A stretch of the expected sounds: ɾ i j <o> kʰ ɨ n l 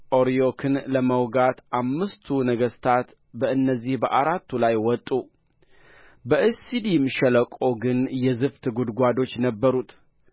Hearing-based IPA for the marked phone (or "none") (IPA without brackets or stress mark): o